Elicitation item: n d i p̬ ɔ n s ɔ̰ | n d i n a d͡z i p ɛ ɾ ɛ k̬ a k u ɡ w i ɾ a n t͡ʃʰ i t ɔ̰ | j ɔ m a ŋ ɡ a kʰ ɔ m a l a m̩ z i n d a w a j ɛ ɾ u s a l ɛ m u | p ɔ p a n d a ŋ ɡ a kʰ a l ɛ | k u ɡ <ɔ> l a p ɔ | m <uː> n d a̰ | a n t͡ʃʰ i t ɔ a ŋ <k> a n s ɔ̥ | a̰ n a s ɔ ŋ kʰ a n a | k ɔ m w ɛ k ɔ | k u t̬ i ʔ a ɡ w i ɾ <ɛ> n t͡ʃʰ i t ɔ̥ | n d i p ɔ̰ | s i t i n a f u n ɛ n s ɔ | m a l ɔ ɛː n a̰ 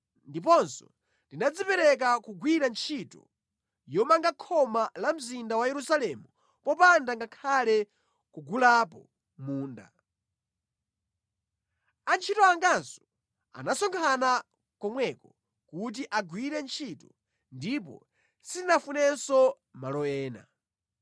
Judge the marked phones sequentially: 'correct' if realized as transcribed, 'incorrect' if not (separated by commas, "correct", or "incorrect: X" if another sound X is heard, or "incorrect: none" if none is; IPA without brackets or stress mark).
incorrect: u, correct, incorrect: ɡ, correct